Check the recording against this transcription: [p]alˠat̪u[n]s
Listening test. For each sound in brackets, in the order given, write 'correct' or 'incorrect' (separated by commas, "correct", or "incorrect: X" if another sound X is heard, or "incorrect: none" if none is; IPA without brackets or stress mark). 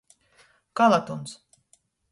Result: incorrect: k, correct